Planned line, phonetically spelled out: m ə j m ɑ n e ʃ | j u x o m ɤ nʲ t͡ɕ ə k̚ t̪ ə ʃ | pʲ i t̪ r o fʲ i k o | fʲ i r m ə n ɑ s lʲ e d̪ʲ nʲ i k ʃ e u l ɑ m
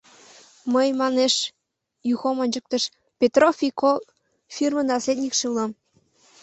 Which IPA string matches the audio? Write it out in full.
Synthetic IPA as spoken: m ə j m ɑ n e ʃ | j u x o m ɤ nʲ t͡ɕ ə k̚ t̪ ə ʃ | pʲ e t̪ r o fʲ i k o | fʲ i r m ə n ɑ s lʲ e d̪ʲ nʲ i k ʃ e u l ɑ m